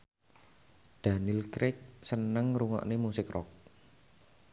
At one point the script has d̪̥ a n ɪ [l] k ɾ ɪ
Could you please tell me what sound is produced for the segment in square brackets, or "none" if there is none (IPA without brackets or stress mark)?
l